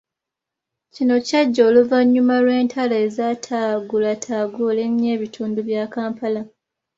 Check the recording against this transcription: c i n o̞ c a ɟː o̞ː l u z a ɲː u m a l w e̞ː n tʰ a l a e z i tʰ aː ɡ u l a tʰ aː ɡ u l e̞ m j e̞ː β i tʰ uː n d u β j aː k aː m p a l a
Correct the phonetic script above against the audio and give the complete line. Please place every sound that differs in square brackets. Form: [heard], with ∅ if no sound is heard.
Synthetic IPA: c i n o̞ c a ɟː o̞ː l u [v] a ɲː u m a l w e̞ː n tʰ a l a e z [a] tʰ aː ɡ u l a tʰ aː ɡ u l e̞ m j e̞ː β i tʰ uː n d u β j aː k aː m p a l a